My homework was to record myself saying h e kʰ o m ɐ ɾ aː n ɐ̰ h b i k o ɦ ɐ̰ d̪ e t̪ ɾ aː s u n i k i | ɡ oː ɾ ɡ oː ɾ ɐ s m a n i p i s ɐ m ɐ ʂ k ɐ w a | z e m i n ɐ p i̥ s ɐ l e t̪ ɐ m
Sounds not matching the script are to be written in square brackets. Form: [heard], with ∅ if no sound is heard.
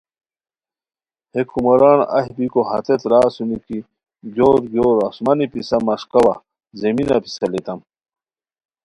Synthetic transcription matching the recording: h e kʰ [u] m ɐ ɾ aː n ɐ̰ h b i k o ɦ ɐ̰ [t̪] e t̪ ɾ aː s u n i k i | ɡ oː ɾ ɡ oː ɾ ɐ s m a n i p i s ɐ m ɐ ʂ k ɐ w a | z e m i n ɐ p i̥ s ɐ l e t̪ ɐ m